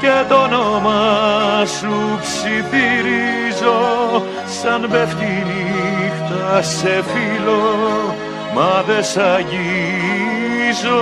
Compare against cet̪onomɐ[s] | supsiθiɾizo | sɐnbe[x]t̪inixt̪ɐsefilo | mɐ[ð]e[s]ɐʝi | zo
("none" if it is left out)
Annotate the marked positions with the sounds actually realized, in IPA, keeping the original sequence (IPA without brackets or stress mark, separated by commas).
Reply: none, f, ð, s